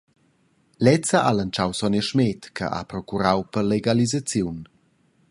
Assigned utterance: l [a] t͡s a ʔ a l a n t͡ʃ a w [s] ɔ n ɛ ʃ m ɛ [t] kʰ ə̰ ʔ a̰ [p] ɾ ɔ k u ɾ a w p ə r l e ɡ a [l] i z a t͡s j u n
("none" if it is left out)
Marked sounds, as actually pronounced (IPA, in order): ɛ, s, t, p, l

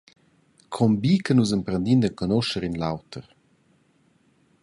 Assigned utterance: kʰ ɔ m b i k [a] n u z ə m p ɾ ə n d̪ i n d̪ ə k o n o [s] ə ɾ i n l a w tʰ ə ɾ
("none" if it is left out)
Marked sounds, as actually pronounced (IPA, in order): ə, ʃ

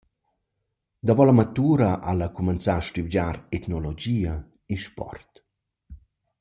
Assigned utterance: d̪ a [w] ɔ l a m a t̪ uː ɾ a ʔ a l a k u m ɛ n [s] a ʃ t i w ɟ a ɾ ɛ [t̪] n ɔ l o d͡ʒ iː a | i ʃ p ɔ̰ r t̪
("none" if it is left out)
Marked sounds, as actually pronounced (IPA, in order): v, t͡s, t̪

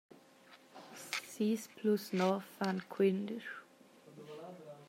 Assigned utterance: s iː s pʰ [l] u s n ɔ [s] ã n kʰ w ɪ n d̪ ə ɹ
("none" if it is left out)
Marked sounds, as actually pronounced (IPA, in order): l, f

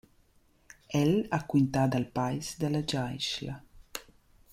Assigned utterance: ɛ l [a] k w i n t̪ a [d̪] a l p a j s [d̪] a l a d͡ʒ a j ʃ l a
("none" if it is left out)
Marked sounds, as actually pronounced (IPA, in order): a, d̪, d̪

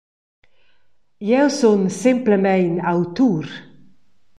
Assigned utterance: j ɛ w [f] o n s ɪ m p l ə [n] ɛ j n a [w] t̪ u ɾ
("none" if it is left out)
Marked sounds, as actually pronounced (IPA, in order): s, m, w

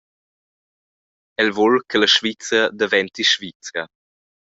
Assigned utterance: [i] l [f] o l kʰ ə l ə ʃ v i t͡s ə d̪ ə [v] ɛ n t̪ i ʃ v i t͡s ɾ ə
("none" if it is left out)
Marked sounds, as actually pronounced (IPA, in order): ɛ, v, v

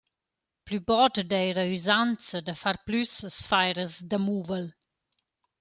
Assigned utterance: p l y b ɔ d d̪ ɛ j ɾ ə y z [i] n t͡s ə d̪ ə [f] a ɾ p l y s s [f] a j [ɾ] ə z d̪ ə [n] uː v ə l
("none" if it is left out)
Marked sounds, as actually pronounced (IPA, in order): a, f, f, ɾ, m

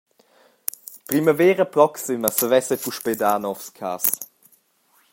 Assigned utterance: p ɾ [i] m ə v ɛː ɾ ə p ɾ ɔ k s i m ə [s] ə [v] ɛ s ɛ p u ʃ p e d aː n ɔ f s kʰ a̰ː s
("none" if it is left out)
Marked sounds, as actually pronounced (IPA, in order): i, s, v

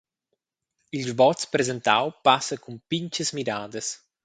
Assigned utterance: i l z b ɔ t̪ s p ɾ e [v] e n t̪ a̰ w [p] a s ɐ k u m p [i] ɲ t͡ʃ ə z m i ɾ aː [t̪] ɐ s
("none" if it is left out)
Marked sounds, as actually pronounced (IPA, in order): z, p, i, d̪

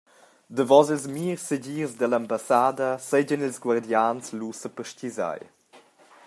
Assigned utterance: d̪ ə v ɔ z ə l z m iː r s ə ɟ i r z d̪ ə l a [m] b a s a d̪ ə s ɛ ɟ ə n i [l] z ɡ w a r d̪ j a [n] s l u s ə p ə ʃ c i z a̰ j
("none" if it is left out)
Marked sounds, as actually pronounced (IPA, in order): m, l, n

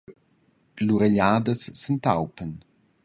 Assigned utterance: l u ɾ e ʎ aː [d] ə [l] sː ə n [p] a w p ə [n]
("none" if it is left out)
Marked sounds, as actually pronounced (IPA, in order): d, none, t, n

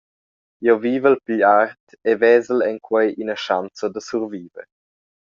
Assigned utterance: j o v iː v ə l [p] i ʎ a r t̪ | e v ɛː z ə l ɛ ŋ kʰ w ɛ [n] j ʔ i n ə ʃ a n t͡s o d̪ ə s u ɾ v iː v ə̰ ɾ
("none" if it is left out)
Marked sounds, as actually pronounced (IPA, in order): p, none

